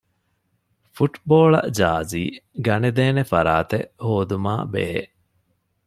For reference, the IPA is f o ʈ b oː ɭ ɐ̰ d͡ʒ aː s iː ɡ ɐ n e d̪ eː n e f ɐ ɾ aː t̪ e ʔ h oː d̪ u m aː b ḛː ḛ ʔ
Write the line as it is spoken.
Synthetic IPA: f u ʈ b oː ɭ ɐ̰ d͡ʒ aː z iː ɡ ɐ n e d̪ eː n e f ɐ ɾ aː t̪ e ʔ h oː d̪ u m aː b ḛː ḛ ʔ